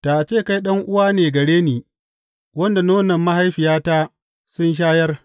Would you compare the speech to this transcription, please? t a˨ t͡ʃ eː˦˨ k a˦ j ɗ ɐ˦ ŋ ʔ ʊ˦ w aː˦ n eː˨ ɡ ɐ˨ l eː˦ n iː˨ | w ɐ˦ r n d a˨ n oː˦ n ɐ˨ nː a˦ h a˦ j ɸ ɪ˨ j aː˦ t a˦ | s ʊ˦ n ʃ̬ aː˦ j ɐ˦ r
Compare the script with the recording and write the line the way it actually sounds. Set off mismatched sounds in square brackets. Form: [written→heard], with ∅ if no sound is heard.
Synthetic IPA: t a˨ t͡ʃ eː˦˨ k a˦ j ɗ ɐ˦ ŋ ʔ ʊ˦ w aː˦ n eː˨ ɡ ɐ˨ [l→ɽ] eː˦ n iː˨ | w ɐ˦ [r→∅] n d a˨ n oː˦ n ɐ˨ [nː→mː] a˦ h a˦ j ɸ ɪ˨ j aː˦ t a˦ | s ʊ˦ n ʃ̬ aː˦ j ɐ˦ r

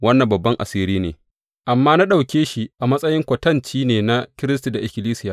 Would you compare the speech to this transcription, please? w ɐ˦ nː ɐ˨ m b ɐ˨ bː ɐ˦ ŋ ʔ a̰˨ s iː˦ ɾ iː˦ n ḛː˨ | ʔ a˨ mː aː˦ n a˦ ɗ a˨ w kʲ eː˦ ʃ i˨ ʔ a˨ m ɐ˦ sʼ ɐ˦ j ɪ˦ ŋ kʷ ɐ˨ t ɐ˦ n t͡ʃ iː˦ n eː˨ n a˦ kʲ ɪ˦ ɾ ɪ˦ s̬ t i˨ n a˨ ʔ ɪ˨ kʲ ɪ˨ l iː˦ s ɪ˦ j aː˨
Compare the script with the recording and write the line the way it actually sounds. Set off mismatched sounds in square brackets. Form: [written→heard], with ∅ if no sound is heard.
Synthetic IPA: w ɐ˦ nː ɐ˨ m b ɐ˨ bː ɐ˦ ŋ ʔ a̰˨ s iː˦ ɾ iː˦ n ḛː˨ | ʔ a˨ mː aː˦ n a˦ ɗ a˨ w kʲ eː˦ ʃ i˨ ʔ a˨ m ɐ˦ sʼ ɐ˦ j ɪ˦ ŋ kʷ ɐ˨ t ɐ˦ n t͡ʃ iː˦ n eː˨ n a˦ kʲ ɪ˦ ɾ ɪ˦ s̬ t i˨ [n→d] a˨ ʔ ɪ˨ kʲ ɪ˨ l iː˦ s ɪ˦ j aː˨

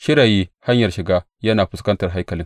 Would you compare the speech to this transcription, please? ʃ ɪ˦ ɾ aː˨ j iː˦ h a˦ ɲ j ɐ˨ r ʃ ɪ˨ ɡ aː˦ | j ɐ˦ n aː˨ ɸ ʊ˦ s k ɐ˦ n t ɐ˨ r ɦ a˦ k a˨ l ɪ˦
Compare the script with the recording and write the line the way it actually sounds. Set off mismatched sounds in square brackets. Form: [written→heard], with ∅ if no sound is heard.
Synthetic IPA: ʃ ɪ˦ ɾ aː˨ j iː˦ h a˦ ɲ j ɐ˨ r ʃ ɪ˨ ɡ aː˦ | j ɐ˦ n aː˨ ɸ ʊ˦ s k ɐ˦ n t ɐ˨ r ɦ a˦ k [a˨→ɐ˨] l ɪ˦

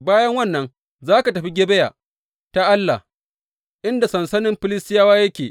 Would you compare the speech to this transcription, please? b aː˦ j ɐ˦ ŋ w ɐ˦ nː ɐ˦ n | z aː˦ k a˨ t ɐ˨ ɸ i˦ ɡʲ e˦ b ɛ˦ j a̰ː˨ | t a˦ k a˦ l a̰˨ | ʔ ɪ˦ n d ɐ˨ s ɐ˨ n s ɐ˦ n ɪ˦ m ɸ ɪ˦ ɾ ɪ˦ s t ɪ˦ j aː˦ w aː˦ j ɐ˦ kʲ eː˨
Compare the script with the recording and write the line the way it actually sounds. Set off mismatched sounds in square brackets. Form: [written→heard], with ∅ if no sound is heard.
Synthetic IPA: b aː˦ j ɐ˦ ŋ w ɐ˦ nː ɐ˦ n | z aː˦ k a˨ t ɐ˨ ɸ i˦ ɡʲ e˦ b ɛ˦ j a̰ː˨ | t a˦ [k→ʔ] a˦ [l→lː] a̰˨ | ʔ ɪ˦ n d [ɐ˨→a˨] s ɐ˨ n s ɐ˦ n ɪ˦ m ɸ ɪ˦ [ɾ→l] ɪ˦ s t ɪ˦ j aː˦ w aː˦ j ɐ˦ kʲ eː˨

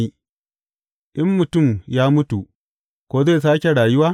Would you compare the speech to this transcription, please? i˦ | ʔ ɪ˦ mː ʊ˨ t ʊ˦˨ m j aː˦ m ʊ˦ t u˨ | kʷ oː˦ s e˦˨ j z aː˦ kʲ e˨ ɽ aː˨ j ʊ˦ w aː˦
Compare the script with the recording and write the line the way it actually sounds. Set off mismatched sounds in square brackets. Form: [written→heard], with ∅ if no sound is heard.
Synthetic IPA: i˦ | ʔ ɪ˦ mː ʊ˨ t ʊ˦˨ m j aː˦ m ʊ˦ t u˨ | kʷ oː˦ [s→z] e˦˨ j [z→s] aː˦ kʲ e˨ ɽ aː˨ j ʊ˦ w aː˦

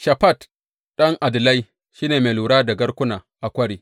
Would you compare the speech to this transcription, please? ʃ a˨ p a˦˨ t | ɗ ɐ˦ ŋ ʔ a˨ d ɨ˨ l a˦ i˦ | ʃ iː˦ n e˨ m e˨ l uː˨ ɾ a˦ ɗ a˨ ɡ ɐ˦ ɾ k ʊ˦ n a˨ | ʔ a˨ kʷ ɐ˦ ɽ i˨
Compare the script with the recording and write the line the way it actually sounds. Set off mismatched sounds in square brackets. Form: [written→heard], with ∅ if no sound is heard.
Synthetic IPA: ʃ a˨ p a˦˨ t | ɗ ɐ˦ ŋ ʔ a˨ d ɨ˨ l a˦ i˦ | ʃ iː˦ n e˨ m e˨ l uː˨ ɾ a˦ [ɗ→d] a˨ ɡ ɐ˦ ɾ k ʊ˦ n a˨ | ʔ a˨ kʷ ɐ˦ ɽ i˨

